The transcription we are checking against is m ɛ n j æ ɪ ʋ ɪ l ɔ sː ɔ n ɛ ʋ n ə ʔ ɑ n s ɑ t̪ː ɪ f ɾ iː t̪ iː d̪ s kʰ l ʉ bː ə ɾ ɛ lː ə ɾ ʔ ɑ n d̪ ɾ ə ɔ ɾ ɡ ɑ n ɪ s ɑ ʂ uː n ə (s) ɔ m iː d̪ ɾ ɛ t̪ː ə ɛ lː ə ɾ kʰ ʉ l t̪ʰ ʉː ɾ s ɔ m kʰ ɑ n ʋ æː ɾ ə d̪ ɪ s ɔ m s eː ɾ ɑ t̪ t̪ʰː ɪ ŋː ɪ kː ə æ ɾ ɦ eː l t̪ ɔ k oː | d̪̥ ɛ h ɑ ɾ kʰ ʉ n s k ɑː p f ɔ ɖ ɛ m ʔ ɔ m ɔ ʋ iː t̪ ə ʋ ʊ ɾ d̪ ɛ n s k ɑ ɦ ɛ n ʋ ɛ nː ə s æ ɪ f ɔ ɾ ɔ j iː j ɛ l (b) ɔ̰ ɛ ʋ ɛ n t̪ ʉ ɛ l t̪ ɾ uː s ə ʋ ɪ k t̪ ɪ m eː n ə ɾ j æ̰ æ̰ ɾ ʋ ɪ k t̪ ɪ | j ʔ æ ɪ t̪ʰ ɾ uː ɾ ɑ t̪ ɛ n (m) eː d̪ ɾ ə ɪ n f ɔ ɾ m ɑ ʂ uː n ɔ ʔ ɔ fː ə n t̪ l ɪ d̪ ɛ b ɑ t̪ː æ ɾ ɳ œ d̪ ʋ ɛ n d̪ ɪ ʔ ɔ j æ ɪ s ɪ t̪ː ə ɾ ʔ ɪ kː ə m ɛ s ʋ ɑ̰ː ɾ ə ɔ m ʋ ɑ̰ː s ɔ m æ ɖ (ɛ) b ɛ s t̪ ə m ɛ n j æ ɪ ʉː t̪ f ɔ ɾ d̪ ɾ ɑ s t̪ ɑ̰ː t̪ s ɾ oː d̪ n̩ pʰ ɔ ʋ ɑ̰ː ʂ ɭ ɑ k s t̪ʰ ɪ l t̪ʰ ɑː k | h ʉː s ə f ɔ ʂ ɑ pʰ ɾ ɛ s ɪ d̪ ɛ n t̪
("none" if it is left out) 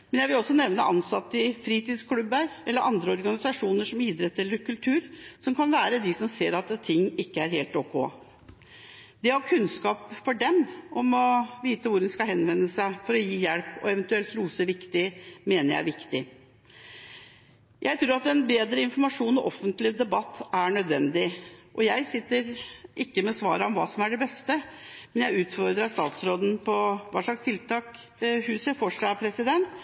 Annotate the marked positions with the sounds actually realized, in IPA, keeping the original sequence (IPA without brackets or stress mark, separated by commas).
ʂ, p, b, ɛ